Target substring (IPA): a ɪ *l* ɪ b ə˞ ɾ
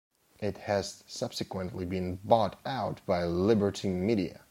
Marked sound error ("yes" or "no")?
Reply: no